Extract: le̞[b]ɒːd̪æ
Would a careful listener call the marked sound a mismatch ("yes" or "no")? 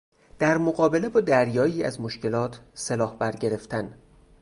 no